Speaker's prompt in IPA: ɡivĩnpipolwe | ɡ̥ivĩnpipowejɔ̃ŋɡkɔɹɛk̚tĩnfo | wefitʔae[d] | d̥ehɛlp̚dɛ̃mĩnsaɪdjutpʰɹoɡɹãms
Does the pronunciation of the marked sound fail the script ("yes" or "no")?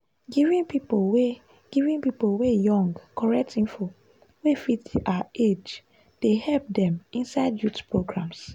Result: yes